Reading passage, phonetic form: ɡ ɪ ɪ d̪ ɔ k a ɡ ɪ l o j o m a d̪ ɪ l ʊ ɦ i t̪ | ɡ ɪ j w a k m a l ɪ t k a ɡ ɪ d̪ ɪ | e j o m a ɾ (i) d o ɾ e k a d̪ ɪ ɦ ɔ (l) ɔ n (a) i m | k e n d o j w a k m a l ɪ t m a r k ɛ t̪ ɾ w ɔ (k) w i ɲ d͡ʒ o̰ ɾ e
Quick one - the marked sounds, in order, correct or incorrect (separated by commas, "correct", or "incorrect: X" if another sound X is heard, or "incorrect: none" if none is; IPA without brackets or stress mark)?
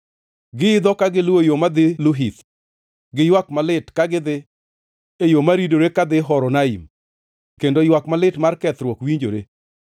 correct, incorrect: ɾ, correct, correct